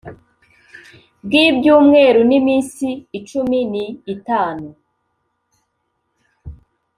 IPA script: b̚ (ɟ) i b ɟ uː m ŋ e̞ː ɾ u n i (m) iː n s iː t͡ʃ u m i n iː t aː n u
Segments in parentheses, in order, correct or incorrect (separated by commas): incorrect, correct